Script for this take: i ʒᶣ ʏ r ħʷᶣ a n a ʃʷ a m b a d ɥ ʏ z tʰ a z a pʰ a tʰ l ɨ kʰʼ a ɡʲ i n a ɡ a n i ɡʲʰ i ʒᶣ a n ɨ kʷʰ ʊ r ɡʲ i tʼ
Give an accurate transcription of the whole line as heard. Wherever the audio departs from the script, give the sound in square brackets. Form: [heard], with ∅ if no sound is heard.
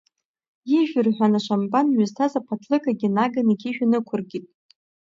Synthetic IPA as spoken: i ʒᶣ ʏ r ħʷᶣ a n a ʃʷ a m b a [n] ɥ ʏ z tʰ a z a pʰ a tʰ l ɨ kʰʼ a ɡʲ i n a ɡ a n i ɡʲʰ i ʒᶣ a n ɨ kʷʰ ʊ r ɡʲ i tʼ